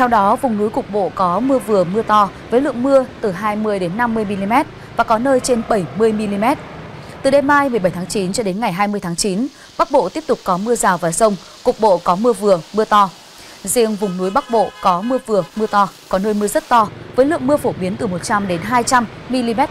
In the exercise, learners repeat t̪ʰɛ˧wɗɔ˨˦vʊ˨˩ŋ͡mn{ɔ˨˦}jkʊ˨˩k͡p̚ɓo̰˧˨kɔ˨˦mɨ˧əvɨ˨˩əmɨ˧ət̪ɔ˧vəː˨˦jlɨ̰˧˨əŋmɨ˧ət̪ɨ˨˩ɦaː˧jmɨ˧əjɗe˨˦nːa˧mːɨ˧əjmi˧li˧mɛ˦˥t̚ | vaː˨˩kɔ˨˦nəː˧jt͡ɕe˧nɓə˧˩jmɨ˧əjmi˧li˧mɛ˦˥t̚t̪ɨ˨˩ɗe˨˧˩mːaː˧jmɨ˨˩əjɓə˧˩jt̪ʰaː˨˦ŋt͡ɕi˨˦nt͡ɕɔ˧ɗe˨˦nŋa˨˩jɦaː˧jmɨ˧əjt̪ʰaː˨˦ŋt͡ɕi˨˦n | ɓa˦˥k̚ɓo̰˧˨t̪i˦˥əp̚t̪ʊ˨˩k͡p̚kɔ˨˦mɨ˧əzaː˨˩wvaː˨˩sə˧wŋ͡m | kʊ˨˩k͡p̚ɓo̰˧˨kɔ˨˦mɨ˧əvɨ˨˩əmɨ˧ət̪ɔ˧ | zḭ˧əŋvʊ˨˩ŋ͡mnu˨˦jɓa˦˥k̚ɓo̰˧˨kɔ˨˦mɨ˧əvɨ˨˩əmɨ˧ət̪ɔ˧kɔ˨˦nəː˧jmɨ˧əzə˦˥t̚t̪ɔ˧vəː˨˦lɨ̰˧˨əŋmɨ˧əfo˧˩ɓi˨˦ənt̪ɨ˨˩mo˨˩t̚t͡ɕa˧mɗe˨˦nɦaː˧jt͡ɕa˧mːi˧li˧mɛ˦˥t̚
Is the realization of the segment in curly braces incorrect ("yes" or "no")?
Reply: yes